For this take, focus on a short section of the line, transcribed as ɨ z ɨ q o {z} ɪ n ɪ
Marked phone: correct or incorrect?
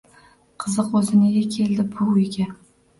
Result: correct